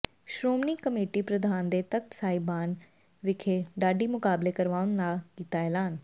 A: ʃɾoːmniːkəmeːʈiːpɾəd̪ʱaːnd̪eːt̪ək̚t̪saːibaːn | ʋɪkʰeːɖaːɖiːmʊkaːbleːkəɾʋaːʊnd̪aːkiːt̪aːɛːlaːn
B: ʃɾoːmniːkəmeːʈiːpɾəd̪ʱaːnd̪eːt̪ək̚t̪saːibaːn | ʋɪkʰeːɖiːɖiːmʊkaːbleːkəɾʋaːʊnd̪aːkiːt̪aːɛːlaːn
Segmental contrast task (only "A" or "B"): A